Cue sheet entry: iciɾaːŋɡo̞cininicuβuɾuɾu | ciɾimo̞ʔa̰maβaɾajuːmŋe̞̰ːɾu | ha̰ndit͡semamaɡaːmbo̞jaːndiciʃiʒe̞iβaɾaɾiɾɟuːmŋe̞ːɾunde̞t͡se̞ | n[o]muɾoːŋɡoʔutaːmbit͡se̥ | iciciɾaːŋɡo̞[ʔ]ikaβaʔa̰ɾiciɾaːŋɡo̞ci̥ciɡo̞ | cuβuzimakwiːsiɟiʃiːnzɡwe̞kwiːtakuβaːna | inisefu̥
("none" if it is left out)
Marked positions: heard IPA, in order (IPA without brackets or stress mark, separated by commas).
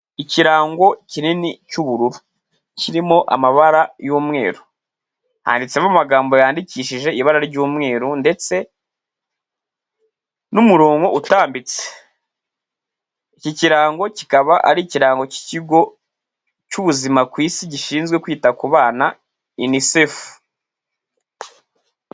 u, c